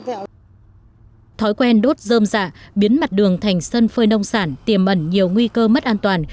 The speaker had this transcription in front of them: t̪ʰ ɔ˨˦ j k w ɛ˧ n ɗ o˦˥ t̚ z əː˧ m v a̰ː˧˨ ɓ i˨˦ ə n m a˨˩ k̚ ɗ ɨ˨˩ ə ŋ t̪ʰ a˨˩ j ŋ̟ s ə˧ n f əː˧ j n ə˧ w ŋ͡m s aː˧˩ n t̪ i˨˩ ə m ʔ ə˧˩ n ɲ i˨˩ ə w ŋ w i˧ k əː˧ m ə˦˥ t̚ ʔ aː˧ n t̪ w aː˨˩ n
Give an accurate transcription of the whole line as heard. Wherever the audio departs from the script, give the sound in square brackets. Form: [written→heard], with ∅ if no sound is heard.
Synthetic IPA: t̪ʰ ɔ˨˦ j k w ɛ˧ n ɗ o˦˥ t̚ z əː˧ m [v→z] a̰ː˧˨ ɓ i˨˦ ə n m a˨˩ [k̚→t̚] ɗ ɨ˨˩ ə ŋ t̪ʰ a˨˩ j ŋ̟ s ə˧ n f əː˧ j n ə˧ w ŋ͡m s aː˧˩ n t̪ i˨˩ ə m ʔ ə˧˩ n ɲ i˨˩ ə w ŋ w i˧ k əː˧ m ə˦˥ t̚ ʔ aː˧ n t̪ w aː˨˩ n